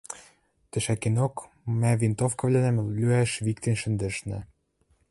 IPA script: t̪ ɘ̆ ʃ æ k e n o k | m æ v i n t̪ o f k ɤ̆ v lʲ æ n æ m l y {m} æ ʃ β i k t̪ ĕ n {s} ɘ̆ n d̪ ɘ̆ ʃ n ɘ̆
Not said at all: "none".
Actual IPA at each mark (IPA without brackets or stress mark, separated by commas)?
none, ʃ